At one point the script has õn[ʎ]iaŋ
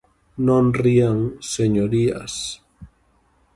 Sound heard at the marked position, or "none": r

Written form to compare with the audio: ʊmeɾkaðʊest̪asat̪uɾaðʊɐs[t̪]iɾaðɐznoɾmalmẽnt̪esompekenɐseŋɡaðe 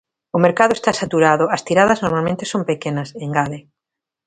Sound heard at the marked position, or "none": t̪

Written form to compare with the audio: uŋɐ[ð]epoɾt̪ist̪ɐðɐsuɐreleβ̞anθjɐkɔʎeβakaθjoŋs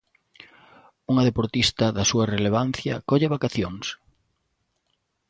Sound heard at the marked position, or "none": ð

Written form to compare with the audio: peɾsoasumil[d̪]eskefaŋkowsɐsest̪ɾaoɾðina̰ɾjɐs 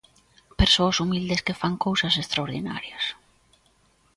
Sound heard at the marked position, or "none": d̪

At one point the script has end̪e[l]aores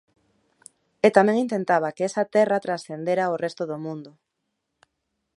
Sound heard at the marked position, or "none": ɾ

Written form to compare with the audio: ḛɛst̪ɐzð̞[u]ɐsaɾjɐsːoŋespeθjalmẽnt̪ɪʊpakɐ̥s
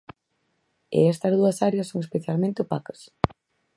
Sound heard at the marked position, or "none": u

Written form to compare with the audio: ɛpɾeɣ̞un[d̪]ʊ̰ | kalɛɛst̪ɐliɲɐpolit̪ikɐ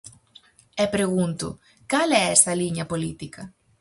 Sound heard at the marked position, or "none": t̪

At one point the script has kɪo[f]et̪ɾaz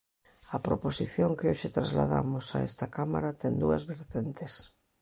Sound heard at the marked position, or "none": ʃ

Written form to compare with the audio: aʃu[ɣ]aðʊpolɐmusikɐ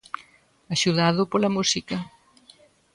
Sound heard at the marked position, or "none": ð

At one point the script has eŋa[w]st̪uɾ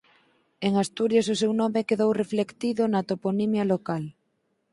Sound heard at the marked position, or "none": none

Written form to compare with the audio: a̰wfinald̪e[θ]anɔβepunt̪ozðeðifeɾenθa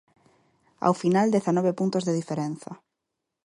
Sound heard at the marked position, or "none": θ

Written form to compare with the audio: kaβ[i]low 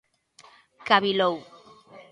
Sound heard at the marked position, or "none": i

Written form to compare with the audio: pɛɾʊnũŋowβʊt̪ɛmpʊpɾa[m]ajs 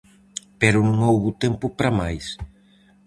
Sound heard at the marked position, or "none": m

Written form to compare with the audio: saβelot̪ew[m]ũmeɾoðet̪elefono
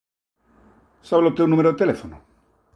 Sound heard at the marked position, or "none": n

